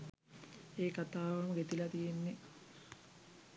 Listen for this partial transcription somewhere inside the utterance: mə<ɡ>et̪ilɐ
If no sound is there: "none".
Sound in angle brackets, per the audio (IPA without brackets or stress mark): ɡ